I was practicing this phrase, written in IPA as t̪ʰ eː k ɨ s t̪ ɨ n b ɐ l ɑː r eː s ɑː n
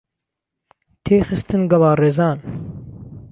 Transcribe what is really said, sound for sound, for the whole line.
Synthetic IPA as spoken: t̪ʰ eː x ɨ s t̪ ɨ n ɡ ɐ l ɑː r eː z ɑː n